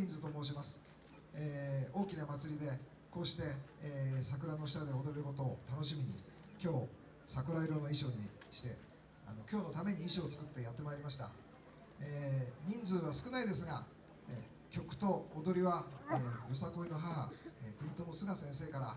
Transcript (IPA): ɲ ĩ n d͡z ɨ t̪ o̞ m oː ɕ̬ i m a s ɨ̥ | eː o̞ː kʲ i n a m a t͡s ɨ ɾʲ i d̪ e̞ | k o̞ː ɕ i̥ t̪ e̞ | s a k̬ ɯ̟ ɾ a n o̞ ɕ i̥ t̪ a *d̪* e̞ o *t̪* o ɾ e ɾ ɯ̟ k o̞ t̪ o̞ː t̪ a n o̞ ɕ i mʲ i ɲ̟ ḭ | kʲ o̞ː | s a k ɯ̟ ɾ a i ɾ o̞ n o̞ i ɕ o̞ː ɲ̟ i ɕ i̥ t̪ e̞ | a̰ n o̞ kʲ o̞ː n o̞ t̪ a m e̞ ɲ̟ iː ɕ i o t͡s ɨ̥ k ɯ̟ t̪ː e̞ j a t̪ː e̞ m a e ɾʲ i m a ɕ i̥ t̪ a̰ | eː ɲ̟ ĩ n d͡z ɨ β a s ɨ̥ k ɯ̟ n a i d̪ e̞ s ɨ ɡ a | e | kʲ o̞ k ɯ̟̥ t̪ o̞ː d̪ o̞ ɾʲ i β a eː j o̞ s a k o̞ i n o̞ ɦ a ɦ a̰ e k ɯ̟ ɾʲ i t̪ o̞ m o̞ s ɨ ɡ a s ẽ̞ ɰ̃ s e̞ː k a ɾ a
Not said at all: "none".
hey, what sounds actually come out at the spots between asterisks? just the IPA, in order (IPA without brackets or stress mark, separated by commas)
d̪, d̪